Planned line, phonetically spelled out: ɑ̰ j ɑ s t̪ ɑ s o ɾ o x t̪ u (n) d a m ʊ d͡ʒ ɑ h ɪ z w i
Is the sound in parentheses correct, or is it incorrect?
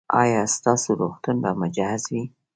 correct